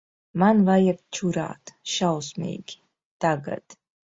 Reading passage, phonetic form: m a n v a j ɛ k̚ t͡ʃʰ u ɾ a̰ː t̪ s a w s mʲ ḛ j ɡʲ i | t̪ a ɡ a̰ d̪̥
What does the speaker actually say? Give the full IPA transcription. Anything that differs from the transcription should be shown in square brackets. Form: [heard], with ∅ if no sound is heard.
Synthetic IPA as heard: m a n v a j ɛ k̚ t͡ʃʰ u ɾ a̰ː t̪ [ʃ] a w s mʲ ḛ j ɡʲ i | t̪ a ɡ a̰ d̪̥